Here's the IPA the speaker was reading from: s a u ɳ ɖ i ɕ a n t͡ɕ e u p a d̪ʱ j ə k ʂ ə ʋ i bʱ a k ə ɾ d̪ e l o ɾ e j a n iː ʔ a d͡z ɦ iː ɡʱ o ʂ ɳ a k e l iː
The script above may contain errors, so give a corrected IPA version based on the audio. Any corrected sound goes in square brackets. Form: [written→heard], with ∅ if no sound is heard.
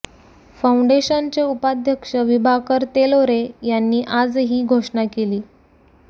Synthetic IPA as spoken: [s→f] a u ɳ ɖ [i→e] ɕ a n t͡ɕ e u p a d̪ʱ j ə k ʂ ə ʋ i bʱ a k ə ɾ [d̪→t̪] e l o ɾ e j a [n→nː] iː ʔ a d͡z ɦ iː ɡʱ o ʂ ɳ a k e l iː

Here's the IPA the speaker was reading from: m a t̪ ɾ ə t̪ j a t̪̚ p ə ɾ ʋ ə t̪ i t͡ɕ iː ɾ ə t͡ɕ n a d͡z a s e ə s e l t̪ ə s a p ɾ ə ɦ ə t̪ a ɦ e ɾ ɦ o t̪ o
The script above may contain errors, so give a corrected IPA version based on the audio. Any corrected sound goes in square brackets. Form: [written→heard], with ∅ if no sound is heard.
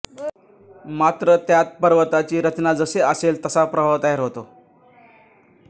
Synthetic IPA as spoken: m a t̪ ɾ ə t̪ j a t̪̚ p ə ɾ ʋ ə t̪ [i→a] t͡ɕ iː ɾ ə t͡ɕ n a d͡z [a→ə] s e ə s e l t̪ ə s a p ɾ ə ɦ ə t̪ a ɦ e ɾ ɦ o t̪ o

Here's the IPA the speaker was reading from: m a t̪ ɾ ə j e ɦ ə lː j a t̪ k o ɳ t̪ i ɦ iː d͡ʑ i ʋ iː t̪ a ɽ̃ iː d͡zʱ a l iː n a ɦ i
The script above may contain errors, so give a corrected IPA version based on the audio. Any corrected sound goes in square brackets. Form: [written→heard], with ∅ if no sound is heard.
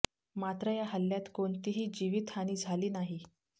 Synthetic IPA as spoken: m a t̪ ɾ ə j [e→a] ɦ ə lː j a t̪ k o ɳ t̪ i ɦ iː d͡ʑ i ʋ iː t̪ a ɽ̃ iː d͡zʱ a l iː n a ɦ i

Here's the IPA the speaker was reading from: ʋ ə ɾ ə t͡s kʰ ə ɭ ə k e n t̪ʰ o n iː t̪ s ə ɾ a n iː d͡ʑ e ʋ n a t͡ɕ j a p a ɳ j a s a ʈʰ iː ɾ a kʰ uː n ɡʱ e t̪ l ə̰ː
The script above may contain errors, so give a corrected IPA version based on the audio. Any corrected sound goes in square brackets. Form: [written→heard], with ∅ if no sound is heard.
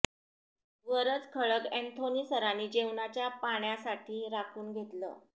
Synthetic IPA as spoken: ʋ ə ɾ ə t͡s kʰ ə ɭ ə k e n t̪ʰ o n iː [t̪→∅] s ə ɾ a n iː d͡ʑ e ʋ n a t͡ɕ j a p a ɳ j a s a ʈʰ iː ɾ a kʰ uː n ɡʱ e t̪ l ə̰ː

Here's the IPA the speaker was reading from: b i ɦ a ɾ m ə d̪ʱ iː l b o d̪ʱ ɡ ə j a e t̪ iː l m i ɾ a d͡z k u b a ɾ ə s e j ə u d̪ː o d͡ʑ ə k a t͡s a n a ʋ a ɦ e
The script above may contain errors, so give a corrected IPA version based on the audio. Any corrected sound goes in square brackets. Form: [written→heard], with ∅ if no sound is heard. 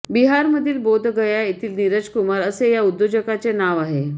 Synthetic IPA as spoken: b i ɦ a ɾ m ə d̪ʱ iː l b o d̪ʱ ɡ ə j a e t̪ iː l [m→n] i ɾ [a→ə] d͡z k u [b→m] a ɾ ə s e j [ə→a] u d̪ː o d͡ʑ ə k a t͡s [a→e] n a ʋ a ɦ e

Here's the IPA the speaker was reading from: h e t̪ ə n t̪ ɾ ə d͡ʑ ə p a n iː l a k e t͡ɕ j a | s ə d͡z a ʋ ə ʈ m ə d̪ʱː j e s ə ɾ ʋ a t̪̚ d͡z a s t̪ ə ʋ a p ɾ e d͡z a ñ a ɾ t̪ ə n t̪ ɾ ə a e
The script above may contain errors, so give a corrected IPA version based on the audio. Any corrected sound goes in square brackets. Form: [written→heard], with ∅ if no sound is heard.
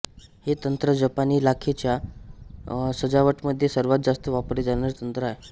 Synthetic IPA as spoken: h e t̪ ə n t̪ ɾ ə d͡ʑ ə p a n iː l a [k→kʰ] e t͡ɕ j a | s ə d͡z a ʋ ə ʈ m ə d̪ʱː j e s ə ɾ ʋ a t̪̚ d͡z a s t̪ ə ʋ a p ɾ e d͡z a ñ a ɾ t̪ ə n t̪ ɾ ə a e

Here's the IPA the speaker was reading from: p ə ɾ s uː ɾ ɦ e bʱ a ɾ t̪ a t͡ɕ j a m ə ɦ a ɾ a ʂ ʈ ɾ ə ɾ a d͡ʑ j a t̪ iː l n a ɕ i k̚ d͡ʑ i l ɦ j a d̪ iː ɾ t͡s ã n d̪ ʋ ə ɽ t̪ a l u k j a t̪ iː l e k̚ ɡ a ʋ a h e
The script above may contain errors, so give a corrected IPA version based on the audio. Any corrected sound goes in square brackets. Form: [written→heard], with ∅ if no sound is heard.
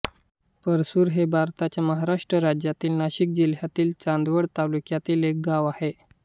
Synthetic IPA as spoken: p ə ɾ s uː ɾ ɦ e bʱ a ɾ t̪ a t͡ɕ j a m ə ɦ a ɾ a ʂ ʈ ɾ ə ɾ a d͡ʑ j a t̪ iː l n a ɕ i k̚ d͡ʑ i l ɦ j a [d̪→t̪] iː [ɾ→l] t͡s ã n d̪ ʋ ə ɽ t̪ a l u k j a t̪ iː l e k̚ ɡ a ʋ a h e

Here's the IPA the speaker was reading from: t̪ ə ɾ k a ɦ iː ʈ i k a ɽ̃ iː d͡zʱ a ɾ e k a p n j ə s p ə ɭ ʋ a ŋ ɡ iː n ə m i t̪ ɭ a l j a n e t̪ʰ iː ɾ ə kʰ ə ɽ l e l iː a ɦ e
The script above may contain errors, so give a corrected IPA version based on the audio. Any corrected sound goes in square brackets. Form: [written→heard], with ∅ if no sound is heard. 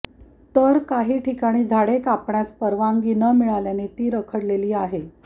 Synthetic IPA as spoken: t̪ ə ɾ k a ɦ iː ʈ i k a ɽ̃ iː d͡zʱ a [ɾ→ɽ] e k a p [n→ɳ] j [ə→a] s p ə [ɭ→ɾ] ʋ a ŋ ɡ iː n ə m i [t̪→∅] ɭ a l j a n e [t̪ʰ→t̪] iː ɾ ə kʰ ə ɽ l e l iː a ɦ e

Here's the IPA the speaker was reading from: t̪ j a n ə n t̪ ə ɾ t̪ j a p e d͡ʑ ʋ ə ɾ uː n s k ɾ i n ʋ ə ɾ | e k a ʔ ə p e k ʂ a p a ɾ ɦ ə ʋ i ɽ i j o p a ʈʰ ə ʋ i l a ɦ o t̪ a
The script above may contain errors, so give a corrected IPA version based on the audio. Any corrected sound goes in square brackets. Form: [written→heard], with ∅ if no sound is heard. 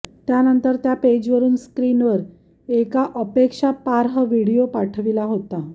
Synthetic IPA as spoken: t̪ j a n ə n t̪ ə ɾ t̪ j a p e d͡ʑ ʋ ə ɾ uː n s k ɾ i n ʋ ə ɾ | e k a ʔ ə p e k ʂ a p a ɾ ɦ ə ʋ i ɽ i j o p a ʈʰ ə ʋ i l a ɦ o t̪ a

